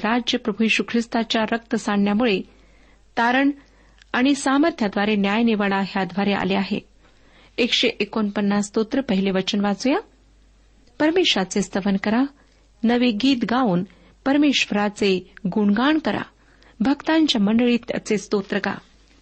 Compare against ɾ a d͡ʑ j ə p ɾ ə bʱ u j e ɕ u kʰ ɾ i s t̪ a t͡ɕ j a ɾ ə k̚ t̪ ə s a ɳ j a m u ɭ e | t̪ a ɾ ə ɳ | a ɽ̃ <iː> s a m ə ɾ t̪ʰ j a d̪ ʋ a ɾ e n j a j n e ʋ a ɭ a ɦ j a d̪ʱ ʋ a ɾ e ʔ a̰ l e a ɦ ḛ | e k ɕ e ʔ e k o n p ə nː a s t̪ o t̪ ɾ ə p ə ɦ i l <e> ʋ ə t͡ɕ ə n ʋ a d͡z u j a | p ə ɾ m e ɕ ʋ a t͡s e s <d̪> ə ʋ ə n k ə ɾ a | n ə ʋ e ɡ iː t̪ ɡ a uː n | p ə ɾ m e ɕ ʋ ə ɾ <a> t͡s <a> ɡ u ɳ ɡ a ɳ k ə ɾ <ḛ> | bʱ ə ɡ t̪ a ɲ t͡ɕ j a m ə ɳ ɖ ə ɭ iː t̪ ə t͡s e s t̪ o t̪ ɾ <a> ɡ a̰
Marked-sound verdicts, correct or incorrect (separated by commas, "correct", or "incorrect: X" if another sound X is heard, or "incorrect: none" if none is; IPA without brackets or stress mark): incorrect: i, correct, incorrect: t̪, correct, incorrect: e, incorrect: a̰, incorrect: ə